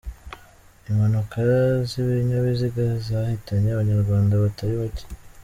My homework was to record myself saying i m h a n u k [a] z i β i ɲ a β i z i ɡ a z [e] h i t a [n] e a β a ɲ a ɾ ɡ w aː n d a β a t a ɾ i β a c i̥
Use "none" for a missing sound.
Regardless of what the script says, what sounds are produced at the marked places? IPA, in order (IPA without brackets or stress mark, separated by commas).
a, a, ɲ